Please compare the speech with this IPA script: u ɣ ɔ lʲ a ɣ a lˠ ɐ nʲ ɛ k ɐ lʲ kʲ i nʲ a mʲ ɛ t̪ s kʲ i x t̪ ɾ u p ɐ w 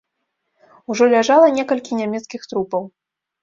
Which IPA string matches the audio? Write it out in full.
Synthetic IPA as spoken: u ʐ ɔ lʲ a ʐ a lˠ ɐ nʲ ɛ k ɐ lʲ kʲ i nʲ a mʲ ɛ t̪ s kʲ i x t̪ ɾ u p ɐ w